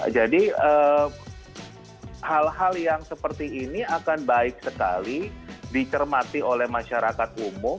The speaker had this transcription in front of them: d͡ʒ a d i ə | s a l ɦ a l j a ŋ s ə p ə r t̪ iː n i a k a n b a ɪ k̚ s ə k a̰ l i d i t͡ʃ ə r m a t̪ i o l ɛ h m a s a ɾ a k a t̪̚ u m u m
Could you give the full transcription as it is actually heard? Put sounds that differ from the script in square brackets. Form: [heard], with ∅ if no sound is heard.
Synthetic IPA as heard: d͡ʒ a d i ə | [h] a l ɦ a l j a ŋ s ə p ə r t̪ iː n i a k a n b a ɪ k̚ s ə k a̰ l i d i t͡ʃ ə r m a t̪ i o l ɛ h m a [ʃ] a ɾ a k a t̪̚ u m [ʊ] m

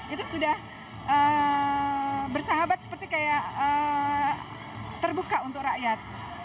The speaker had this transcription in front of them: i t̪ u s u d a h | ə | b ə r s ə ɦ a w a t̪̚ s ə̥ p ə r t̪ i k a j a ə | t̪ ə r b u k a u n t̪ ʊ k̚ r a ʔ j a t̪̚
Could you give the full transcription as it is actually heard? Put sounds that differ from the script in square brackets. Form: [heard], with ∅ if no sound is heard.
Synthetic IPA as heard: i t̪ u s u d a h | ə | b ə r s [a] ɦ a [b] a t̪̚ s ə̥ p ə r t̪ i k a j a ə | t̪ ə r b u k a u n t̪ ʊ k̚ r a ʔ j a t̪̚

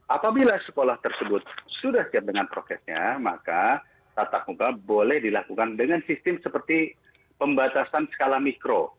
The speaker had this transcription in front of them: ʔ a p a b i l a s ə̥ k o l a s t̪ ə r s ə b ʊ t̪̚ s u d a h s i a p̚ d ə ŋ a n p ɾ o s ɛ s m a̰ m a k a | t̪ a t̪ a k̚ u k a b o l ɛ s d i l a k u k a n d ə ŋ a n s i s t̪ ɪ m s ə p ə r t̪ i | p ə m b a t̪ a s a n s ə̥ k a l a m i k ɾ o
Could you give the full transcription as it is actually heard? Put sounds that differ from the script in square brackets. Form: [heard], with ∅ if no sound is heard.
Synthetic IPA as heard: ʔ a p a b i l a s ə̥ k o l a [h] t̪ ə r s ə b ʊ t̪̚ s u d a h s i a p̚ d ə ŋ a n p ɾ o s ɛ s [ɲ] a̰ m a k a | t̪ a t̪ a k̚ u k a b o l ɛ [h] d i l a k u k a n d ə ŋ a n s i s t̪ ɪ m s ə p ə r t̪ i | p ə m b a t̪ a s a n s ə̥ k a l a m i k ɾ o

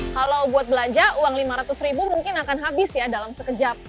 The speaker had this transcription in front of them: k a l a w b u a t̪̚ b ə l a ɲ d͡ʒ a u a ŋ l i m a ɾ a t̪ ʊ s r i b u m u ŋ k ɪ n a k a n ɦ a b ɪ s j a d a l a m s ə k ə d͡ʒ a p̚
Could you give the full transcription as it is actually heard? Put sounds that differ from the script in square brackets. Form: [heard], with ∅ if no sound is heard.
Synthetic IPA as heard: k a l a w b u a t̪̚ b ə l a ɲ d͡ʒ a u a ŋ l i m a ɾ a t̪ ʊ s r i b u m u ŋ k ɪ n a k a n ɦ a b ɪ s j a d a l a m s ə k ə d͡ʒ a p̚

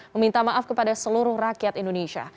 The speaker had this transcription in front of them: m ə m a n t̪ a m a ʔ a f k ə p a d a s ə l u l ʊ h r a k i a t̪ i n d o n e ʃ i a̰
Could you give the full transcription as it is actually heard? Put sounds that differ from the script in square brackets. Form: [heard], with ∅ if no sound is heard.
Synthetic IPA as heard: m ə m [i] n t̪ a m a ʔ a f k ə p a d a s ə l u [ɾ] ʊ h r a k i a t̪ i n d o n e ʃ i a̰

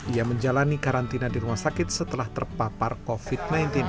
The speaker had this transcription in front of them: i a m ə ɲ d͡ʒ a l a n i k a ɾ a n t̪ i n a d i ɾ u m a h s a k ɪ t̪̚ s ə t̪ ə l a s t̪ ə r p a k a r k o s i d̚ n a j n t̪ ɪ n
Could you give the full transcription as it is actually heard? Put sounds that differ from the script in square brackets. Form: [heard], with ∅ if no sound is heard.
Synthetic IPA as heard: i a m ə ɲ d͡ʒ a l a n i k a ɾ a n t̪ i n a d i ɾ u m a h s a k ɪ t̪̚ s ə t̪ ə l a [h] t̪ ə r p a [p] a r k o [f] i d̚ n a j n t̪ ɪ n

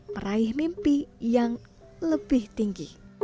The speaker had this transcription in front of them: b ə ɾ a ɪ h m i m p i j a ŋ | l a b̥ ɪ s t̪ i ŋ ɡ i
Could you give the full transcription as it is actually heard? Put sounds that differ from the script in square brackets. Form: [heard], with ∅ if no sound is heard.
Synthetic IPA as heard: [m] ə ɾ a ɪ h m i m p i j a ŋ | l [ə] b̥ ɪ [h] t̪ i ŋ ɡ i

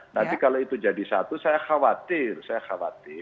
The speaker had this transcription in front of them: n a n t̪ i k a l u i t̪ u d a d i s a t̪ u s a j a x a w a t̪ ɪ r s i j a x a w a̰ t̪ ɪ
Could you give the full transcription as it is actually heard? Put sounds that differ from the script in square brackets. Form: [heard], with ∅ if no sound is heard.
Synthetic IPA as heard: n a n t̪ i k a l [o] i t̪ u [d͡ʒ] a d i s a t̪ u s a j a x a w a t̪ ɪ r s [a] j a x a w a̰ t̪ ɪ

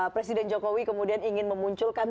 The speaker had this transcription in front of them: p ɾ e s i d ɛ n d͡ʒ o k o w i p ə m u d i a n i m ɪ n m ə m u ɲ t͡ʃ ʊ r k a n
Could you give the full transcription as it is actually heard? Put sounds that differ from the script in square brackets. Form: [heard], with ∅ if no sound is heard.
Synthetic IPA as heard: p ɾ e s i d ɛ n d͡ʒ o k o w i [k] ə m u d i a n i [ŋ] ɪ n m ə m u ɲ t͡ʃ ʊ [l] k a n

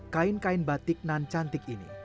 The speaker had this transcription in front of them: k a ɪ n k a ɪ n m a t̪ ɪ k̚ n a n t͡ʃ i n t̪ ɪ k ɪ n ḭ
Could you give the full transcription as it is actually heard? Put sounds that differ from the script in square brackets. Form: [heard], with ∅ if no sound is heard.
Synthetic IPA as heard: k a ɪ n k a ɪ n [b] a t̪ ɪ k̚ n a n t͡ʃ [a] n t̪ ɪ k [i] n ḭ

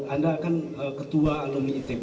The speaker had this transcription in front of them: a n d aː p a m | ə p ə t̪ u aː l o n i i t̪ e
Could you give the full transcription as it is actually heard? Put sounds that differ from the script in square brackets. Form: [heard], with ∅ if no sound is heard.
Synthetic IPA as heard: a n d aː [k] a [n] | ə [k] ə t̪ u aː l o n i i t̪ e

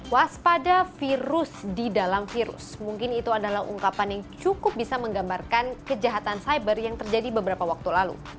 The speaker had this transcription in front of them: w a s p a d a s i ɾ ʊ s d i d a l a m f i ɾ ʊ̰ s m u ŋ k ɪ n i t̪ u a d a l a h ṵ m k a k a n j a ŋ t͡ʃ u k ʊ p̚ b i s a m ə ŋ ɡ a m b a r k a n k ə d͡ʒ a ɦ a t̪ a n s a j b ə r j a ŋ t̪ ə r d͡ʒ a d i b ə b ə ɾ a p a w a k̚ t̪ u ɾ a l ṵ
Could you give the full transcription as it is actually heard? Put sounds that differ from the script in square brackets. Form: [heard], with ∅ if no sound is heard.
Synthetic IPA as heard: w a s p a d a [f] i ɾ ʊ s d i d a l a m f i ɾ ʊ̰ s m u ŋ k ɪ n i t̪ u a d a l a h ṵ [ŋ] k a [p] a n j a ŋ t͡ʃ u k ʊ p̚ b i s a m ə ŋ ɡ a m b a r k a n k ə d͡ʒ a ɦ a t̪ a n s a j b ə r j a ŋ t̪ ə r d͡ʒ a d i b ə b ə ɾ a p a w a k̚ t̪ u [l] a l ṵ

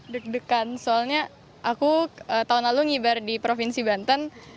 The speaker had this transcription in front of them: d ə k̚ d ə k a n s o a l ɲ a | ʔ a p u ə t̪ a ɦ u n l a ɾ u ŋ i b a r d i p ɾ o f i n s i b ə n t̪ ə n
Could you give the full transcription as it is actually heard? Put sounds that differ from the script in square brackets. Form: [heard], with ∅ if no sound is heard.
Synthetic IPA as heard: d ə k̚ d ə k a n s o a l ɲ a | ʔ a [k] u ə t̪ a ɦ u n l a [l] u ŋ i b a r d i p ɾ o f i n s i b [a] n t̪ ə n

